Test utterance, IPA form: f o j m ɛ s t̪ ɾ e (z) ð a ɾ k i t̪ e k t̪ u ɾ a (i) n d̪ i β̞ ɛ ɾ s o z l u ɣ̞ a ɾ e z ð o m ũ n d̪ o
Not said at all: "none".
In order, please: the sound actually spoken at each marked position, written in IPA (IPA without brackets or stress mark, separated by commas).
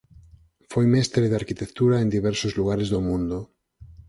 none, e